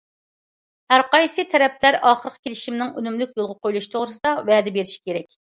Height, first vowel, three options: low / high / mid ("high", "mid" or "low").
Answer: low